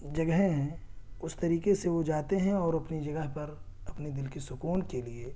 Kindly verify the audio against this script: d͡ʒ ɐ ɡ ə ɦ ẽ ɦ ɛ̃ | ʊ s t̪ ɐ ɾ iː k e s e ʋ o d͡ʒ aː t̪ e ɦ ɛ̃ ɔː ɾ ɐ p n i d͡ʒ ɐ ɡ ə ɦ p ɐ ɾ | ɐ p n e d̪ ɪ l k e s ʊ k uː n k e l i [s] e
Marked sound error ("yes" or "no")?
yes